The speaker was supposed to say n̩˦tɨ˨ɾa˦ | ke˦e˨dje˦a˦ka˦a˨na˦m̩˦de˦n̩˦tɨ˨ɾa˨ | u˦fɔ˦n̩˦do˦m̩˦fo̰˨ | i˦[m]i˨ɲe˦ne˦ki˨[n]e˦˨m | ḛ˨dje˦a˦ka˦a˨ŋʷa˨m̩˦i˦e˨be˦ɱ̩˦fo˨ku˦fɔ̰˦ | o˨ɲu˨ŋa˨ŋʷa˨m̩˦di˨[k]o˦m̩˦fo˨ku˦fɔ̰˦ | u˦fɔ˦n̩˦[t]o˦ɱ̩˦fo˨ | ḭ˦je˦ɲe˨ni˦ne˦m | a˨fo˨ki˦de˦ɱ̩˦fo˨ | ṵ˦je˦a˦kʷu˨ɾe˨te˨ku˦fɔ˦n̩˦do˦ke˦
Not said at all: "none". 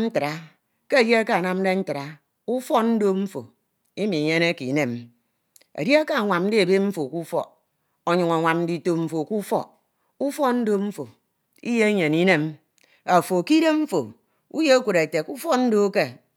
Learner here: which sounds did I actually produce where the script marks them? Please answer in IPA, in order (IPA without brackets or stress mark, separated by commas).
m, n, t, d